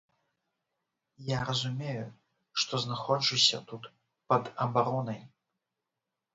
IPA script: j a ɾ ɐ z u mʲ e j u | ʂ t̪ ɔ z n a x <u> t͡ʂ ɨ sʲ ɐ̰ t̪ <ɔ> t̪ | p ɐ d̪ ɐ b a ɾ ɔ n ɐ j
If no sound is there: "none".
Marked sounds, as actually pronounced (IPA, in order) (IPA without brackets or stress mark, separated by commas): ɔ, u